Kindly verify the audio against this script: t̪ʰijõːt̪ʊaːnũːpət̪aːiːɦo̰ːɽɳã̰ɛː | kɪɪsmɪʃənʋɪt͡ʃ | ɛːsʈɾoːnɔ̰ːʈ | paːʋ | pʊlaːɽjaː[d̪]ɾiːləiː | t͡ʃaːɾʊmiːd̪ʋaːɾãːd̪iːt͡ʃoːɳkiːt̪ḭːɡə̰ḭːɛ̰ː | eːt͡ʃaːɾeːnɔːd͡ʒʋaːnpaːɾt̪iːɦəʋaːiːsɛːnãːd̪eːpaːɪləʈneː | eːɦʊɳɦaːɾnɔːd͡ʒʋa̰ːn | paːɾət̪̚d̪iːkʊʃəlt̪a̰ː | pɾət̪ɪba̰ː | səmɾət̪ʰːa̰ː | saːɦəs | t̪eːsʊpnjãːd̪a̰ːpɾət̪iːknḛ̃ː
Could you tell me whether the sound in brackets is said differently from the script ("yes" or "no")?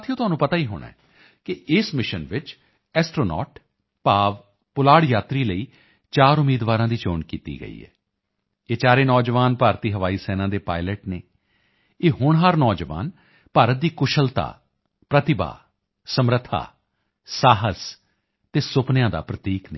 yes